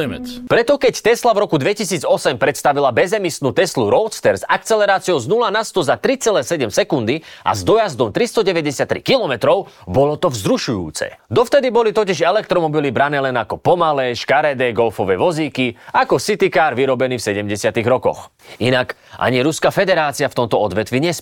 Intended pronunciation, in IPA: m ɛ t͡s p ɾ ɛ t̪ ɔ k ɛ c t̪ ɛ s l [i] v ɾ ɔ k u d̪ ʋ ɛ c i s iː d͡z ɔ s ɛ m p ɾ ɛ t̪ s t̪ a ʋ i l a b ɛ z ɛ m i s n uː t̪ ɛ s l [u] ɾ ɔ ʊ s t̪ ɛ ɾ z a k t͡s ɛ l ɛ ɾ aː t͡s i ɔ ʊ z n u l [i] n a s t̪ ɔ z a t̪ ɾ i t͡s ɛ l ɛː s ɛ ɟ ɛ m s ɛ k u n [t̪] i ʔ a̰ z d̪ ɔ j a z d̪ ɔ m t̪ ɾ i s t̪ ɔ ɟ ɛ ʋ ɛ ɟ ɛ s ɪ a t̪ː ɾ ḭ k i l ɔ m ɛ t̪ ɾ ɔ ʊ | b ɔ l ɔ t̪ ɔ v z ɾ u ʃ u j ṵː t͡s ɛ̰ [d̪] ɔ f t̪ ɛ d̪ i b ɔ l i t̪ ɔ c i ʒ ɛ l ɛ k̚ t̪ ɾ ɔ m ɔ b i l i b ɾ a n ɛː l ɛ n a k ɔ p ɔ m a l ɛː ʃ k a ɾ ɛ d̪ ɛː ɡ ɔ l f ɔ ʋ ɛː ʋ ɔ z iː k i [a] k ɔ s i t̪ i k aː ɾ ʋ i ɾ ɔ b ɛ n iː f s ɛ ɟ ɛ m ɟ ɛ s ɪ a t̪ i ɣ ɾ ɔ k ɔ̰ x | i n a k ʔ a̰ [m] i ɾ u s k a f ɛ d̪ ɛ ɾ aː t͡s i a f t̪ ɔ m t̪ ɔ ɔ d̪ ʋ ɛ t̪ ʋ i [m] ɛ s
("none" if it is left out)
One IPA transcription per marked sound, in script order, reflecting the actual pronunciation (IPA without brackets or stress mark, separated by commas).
a, u, a, d̪, d̪, a, ɲ, ɲ